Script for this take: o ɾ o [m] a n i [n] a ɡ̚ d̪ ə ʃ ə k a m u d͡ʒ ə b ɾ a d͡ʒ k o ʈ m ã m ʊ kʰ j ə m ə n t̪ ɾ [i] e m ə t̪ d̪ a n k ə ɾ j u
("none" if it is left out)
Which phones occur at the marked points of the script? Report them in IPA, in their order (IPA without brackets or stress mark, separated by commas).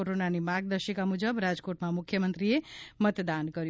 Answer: n, m, i